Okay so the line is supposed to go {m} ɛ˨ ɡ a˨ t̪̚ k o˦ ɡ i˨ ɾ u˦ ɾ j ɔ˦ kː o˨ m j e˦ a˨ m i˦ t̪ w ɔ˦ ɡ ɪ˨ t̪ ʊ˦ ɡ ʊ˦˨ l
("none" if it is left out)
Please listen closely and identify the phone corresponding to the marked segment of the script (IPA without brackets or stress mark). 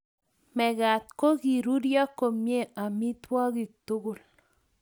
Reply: m